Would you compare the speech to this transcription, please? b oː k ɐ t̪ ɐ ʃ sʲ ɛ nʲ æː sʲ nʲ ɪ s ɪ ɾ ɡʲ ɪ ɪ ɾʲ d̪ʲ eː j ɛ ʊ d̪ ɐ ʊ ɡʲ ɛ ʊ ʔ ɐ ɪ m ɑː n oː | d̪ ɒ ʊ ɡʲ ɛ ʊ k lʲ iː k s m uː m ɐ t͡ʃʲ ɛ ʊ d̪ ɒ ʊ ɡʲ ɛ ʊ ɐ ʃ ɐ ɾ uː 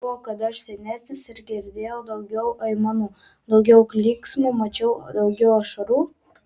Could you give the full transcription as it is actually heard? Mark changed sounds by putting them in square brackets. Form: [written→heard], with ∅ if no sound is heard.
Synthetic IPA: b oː k ɐ t̪ ɐ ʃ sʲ ɛ nʲ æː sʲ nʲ ɪ s ɪ ɾ ɡʲ ɪ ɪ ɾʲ d̪ʲ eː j ɛ ʊ d̪ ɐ ʊ ɡʲ ɛ ʊ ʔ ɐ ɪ m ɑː n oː | d̪ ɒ ʊ ɡʲ ɛ ʊ k lʲ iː k s m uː m ɐ t͡ʃʲ ɛ ʊ d̪ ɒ ʊ ɡʲ ɛ ʊ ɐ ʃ ɐ ɾ uː